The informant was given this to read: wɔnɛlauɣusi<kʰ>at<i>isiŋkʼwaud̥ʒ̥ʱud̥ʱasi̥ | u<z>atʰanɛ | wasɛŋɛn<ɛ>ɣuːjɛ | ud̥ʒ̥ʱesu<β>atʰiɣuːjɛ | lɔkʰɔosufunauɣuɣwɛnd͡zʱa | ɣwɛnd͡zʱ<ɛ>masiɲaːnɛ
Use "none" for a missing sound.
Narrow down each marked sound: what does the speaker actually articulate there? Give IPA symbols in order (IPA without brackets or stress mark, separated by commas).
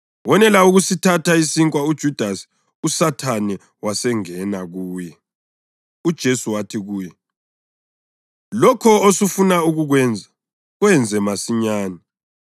tʰ, a, s, a, w, ɛ